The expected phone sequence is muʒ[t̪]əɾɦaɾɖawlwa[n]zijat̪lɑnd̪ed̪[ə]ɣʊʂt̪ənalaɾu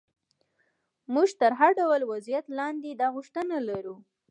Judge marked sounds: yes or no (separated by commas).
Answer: yes, no, no